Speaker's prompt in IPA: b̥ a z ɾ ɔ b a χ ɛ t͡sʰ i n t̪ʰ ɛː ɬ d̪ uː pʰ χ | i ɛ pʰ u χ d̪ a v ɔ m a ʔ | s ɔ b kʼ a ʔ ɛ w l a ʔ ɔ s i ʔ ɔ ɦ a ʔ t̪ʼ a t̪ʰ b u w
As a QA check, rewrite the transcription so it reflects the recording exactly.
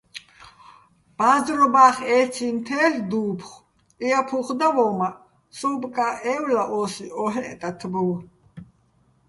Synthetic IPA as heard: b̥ a z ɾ ɔ b a χ ɛ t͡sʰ i n t̪ʰ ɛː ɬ d̪ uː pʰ χ | i a pʰ u χ d̪ a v ɔ m a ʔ | s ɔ b kʼ a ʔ ɛ w l a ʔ ɔ s i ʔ ɔ ɦ ɛ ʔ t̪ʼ a t̪ʰ b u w